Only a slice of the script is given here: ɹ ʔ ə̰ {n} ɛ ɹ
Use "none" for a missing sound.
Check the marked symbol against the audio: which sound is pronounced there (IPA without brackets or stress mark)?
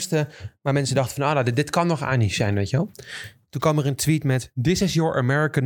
m